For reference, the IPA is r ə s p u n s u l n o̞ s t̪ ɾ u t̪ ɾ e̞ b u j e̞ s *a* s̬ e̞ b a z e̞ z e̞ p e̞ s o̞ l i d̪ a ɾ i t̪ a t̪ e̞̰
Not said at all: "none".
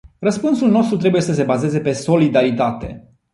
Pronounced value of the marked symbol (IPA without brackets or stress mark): ə